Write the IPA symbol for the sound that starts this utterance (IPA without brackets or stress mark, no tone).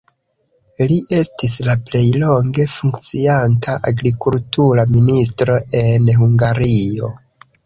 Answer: l